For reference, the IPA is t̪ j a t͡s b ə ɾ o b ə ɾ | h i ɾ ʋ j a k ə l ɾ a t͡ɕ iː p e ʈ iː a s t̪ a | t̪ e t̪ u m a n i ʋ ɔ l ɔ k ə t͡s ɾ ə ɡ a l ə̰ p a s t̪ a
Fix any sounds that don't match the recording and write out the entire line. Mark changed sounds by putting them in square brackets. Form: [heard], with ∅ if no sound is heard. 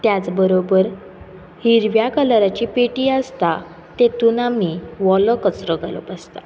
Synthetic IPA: t̪ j a t͡s b ə ɾ o b ə ɾ | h i ɾ ʋ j a k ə l ɾ a t͡ɕ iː p e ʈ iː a s t̪ a | t̪ e t̪ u [n] a [m] i ʋ ɔ l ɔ k ə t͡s ɾ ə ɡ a l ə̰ p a s t̪ a